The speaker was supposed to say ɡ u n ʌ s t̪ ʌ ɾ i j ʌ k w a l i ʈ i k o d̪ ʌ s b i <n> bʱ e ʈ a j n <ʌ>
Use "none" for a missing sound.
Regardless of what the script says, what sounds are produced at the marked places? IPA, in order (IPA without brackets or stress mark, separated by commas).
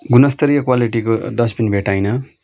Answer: n, ʌ